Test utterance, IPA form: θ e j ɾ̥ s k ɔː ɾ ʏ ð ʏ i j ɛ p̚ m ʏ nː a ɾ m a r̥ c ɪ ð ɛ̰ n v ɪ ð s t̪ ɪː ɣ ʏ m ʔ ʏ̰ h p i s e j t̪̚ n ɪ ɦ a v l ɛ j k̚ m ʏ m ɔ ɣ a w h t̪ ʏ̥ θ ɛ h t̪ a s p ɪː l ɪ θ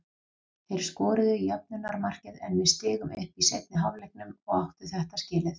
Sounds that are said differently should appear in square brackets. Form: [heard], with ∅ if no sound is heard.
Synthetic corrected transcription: θ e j ɾ̥ s k ɔː ɾ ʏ ð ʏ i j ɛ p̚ [n] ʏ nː a ɾ m a r̥ c ɪ ð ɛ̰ n v ɪ ð s t̪ ɪː ɣ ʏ m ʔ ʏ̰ h p i s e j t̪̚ n ɪ ɦ a v l ɛ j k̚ [n] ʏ m ɔ ɣ a w h t̪ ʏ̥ θ ɛ h t̪ a s [c] ɪː l ɪ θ